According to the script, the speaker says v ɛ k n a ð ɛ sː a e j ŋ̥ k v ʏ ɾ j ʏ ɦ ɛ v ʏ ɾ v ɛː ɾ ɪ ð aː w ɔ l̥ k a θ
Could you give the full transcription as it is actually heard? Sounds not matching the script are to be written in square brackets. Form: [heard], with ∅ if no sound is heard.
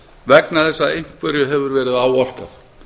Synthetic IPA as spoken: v ɛ k n a [θ] ɛ sː a e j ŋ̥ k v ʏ ɾ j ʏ ɦ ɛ v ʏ ɾ v ɛː ɾ ɪ ð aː w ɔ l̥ k a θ